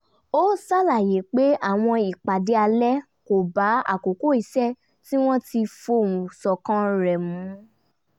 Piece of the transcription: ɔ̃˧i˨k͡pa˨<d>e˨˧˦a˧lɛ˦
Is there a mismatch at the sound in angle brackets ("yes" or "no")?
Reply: no